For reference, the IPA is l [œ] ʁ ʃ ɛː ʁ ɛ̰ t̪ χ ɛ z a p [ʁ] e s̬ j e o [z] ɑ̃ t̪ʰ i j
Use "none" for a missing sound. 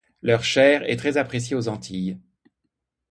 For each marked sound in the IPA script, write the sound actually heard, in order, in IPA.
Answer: œ, χ, z

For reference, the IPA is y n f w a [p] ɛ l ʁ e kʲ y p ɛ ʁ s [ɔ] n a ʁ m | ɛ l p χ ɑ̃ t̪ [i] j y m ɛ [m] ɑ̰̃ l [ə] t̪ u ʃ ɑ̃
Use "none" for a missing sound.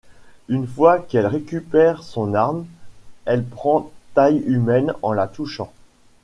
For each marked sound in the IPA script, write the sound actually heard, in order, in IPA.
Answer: k, ɔ̃, a, n, a

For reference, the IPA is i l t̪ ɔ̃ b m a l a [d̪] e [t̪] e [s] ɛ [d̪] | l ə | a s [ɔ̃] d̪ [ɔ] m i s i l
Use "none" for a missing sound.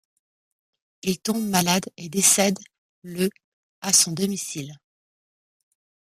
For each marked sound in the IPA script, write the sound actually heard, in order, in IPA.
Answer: d̪, d̪, s, d̪, ɔ̃, ɔ

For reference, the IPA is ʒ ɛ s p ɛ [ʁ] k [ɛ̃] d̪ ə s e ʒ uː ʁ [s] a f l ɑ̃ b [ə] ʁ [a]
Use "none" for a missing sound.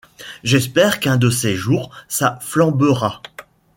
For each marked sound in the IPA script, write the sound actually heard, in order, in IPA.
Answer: ʁ, ɛ̃, s, ə, a

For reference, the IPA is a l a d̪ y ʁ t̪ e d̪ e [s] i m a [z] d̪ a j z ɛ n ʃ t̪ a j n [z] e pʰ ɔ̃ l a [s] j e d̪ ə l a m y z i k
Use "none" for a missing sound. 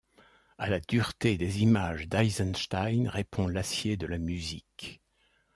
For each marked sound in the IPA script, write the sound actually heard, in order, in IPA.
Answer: z, ʒ, ʁ, s

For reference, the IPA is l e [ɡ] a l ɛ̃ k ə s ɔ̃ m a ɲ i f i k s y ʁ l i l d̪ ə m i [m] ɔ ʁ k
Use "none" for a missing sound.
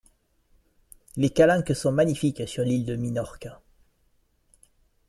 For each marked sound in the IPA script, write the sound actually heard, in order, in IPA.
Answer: k, n

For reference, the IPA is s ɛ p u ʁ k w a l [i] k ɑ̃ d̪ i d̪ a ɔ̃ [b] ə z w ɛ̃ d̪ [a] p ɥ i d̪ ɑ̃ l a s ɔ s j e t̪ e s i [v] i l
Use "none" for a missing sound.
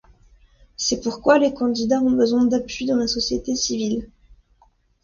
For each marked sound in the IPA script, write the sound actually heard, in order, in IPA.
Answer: e, b, a, v

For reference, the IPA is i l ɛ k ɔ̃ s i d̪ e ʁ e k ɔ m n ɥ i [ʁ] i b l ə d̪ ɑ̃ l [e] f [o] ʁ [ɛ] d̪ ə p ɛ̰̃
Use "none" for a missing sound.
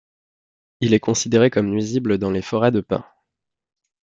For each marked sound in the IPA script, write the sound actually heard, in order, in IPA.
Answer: z, e, ɔ, ɛ

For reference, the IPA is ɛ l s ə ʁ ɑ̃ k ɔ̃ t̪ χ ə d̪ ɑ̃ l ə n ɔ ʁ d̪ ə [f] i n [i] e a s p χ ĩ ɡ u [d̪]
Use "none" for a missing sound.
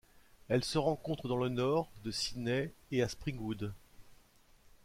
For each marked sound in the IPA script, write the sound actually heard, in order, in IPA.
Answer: s, ɛ, d̪

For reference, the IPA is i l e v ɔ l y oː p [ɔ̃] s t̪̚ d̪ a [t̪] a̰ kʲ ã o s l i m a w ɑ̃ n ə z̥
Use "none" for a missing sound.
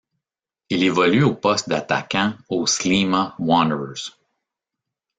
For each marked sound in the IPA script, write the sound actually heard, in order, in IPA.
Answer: ɔ, t̪

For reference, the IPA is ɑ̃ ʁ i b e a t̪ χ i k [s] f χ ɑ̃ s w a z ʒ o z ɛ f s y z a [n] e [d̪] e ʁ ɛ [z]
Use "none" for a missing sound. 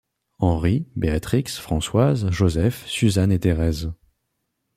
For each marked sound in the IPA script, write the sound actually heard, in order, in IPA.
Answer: s, n, t̪, z

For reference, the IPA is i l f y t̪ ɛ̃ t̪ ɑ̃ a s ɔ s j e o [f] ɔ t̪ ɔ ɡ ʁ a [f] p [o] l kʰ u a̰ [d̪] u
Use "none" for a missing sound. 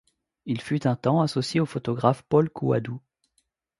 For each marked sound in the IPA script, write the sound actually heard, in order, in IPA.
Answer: f, f, ɔ, d̪

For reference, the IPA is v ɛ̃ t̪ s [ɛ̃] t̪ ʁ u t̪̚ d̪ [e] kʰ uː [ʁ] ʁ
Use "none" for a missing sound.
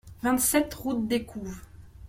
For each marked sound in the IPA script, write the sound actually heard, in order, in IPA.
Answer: ɛ, e, v

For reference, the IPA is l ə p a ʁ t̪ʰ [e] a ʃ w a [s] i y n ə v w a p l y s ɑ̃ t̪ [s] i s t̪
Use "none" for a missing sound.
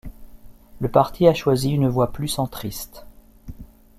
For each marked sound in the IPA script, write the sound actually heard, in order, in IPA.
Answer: i, z, χ

